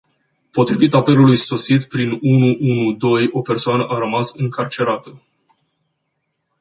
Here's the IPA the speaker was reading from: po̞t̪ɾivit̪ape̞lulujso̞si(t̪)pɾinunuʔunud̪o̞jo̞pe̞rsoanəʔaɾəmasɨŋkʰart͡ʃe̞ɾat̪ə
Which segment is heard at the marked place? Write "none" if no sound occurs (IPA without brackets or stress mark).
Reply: t̪